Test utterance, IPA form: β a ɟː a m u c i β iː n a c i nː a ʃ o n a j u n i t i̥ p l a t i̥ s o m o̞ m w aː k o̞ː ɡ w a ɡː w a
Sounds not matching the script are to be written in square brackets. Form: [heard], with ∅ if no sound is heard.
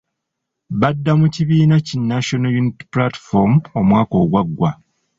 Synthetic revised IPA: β a [dː] a m u c i β iː n a c i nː a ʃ o n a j u n i t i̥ p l a t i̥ [f] o m o̞ m w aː k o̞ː ɡ w a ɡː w a